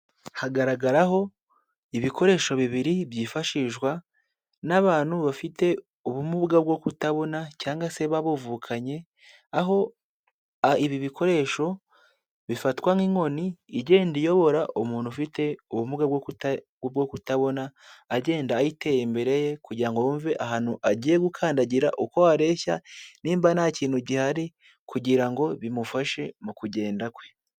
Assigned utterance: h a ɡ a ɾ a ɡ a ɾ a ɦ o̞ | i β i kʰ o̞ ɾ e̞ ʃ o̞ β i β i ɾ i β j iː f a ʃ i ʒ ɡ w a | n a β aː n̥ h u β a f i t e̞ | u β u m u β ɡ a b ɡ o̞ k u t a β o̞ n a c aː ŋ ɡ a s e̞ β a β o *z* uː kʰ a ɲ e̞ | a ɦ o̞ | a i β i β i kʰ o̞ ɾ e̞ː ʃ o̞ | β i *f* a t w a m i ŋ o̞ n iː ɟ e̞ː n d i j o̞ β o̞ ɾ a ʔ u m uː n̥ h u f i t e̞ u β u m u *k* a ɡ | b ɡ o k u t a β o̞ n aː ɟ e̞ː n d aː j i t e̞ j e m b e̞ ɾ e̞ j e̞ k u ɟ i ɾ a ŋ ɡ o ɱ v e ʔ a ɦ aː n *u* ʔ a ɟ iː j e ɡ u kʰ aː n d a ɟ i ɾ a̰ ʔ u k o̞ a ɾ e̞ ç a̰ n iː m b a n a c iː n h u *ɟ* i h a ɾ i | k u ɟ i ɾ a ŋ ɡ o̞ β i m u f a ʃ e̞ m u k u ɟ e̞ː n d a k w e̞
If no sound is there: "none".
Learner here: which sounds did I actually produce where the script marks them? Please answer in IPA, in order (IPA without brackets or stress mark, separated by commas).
v, f, ɡ, u, ɟ